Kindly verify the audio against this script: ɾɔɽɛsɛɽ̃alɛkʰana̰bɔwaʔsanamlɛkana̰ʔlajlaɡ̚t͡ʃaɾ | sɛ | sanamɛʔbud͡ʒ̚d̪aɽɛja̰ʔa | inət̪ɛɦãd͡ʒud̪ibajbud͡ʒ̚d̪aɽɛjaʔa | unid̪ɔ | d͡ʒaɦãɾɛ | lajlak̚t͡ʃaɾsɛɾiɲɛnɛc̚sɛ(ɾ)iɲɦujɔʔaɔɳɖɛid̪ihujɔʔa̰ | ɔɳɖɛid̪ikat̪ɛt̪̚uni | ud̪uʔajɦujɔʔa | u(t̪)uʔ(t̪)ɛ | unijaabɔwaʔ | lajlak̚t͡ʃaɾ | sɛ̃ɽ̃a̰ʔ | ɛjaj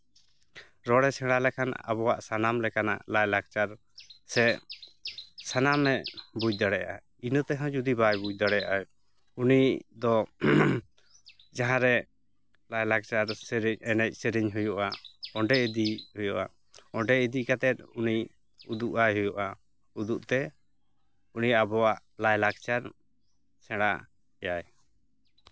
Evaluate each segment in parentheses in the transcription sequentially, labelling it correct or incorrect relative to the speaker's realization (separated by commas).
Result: correct, incorrect, correct